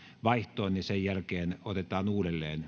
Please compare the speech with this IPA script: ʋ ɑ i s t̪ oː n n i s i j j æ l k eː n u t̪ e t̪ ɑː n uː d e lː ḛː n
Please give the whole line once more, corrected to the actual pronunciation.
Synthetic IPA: ʋ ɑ i h t̪ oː n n i s e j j æ l k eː n o t̪ e t̪ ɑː n uː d e lː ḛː n

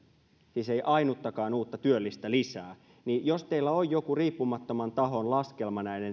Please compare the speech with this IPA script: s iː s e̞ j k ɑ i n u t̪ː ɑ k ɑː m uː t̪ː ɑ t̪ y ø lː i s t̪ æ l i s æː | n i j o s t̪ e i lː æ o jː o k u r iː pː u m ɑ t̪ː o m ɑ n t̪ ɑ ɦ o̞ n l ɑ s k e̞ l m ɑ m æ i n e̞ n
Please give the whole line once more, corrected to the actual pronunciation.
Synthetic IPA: s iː s e̞ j ʔ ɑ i n u t̪ː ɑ k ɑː n uː t̪ː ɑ t̪ y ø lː i s t̪ æ l i s æː | n i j o s t̪ e i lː æ o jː o k u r iː pː u m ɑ t̪ː o m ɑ n t̪ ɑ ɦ o̞ n l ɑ s k e̞ l m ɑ n æ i n e̞ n

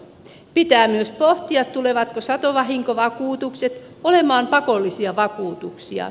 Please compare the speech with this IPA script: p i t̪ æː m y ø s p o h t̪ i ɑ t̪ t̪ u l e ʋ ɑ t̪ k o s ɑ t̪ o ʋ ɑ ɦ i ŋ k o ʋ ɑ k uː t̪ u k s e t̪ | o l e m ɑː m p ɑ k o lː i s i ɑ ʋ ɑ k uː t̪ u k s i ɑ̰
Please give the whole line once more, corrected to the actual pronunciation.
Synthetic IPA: p i t̪ æː m y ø s p o h t̪ i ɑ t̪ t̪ u l e ʋ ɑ t̪ k o s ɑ t̪ o ʋ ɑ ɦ i ŋ k o ʋ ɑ k uː t̪ u k s e t̪ | o l e m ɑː m p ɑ k o lː i s i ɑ ʋ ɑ k uː t̪ u k s i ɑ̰

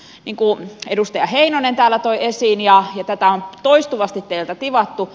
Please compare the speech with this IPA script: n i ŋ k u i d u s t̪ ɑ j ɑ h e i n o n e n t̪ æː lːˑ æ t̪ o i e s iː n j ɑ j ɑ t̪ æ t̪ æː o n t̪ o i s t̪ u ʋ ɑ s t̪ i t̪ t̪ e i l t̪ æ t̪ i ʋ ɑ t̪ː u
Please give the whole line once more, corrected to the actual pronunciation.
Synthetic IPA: n i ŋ k u e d u s t̪ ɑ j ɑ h e i n o n e n t̪ æː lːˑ æ t̪ o i e s iː n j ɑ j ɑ t̪ æ t̪ æ o n t̪ o i s t̪ u ʋ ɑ s t̪ i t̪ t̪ e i l t̪ æ t̪ i ʋ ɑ t̪ː u

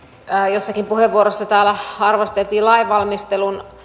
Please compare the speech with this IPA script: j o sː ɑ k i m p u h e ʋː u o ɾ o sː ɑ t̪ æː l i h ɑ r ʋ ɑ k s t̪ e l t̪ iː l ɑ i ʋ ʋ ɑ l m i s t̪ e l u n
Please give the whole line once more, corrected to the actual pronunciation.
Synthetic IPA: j o sː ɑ k i m p u h e ʋː u o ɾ o sː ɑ t̪ æː l æ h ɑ r ʋ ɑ s t̪ e l t̪ iː l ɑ i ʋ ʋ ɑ l m i s t̪ e l u n

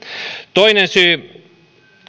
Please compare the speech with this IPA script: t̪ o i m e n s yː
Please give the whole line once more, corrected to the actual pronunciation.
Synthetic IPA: t̪ o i n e n s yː

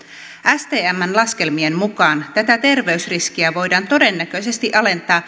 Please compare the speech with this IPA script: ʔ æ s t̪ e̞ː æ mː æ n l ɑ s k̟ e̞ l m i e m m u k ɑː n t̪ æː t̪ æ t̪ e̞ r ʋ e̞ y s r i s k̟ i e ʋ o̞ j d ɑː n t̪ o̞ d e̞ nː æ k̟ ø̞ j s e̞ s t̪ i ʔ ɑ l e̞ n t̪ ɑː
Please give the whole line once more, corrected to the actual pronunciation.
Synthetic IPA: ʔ æ s t̪ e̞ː æ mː æ n l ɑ s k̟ e̞ l m i e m m u k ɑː n t̪ æ t̪ æ t̪ e̞ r ʋ e̞ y s r i s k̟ i æ ʋ o̞ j d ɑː n t̪ o̞ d e̞ nː æ k̟ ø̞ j s e̞ s t̪ i ʔ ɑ l e̞ n t̪ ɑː

